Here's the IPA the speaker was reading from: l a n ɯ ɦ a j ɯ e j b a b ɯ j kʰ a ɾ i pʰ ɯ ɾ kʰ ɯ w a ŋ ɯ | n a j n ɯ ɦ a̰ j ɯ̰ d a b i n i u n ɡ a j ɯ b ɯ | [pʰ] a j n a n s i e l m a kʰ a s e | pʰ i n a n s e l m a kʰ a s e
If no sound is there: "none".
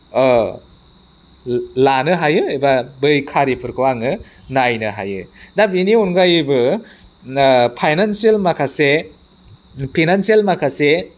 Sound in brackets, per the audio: pʰ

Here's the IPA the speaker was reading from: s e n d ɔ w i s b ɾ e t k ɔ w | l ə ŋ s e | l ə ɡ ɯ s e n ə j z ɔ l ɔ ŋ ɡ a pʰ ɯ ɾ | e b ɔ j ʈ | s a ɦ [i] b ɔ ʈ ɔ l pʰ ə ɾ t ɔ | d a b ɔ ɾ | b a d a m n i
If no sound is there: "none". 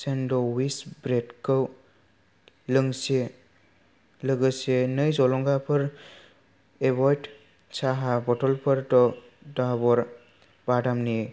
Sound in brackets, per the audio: a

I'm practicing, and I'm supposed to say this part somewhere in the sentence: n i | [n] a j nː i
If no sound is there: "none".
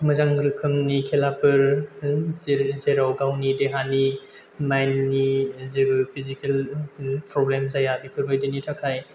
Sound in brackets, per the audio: m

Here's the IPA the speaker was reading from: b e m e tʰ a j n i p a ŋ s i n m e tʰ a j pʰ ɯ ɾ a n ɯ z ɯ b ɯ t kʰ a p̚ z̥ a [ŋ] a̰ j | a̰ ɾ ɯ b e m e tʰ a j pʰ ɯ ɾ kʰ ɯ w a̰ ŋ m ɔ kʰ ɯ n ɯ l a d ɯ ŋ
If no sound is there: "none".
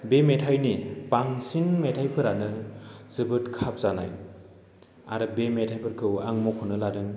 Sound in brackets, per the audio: n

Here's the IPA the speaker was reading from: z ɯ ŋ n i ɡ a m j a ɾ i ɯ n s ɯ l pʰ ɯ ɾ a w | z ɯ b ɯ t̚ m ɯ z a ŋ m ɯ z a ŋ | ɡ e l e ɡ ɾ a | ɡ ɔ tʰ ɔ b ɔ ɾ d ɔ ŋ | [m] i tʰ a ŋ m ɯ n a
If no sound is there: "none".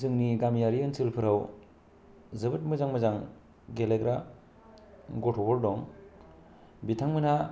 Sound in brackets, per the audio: b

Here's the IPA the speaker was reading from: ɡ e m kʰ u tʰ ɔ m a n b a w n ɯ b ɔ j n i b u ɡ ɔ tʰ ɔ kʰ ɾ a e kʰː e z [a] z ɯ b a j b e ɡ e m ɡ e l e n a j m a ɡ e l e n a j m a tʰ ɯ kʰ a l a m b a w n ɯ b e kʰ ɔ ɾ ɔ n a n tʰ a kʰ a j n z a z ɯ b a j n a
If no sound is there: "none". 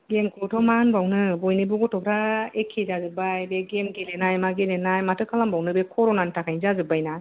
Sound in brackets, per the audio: a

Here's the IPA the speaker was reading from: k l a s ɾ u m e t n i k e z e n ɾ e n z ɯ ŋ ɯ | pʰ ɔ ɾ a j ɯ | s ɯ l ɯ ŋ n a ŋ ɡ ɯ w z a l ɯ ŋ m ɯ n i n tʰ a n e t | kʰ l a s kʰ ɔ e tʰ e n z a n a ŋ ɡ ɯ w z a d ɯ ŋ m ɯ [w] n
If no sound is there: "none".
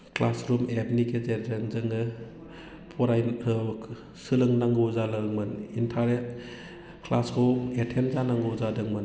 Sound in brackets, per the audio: none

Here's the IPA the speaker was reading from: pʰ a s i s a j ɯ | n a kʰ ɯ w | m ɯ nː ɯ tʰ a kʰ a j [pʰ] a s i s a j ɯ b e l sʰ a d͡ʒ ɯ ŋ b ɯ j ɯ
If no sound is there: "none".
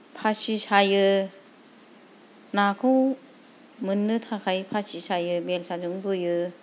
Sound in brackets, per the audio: pʰ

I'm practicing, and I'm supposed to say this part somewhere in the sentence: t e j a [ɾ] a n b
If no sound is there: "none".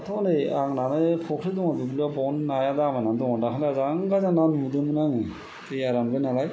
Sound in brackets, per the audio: ɾ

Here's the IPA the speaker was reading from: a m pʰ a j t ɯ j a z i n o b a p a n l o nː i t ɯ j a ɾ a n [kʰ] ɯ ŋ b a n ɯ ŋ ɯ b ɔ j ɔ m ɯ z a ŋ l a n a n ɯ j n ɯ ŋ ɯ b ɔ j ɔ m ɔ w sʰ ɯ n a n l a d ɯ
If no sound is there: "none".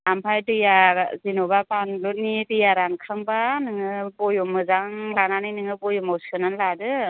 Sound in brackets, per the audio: kʰ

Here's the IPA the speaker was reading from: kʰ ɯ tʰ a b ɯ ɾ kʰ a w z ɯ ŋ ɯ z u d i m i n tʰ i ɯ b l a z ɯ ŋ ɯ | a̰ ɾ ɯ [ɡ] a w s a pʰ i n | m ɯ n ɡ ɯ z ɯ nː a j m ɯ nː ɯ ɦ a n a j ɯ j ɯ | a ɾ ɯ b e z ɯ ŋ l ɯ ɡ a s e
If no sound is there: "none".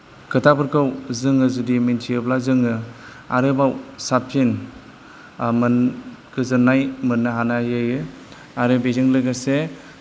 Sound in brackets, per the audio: b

